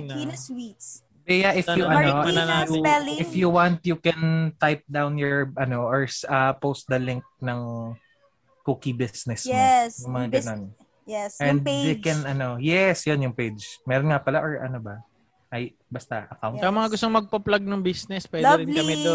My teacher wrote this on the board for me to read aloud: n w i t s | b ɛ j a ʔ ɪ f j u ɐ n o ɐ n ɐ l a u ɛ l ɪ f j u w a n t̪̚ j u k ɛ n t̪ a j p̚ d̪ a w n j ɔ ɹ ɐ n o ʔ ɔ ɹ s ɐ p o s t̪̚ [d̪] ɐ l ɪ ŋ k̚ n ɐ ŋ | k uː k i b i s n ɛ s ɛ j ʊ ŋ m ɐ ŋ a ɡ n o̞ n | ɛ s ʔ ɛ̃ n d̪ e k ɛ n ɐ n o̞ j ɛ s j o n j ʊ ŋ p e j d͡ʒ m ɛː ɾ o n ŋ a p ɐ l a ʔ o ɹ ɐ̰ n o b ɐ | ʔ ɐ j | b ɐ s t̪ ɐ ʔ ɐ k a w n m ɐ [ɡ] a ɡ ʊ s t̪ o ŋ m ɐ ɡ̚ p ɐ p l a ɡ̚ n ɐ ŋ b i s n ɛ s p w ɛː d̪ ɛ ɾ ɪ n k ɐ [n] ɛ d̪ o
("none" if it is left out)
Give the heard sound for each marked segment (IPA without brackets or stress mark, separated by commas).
d̪, ŋ, m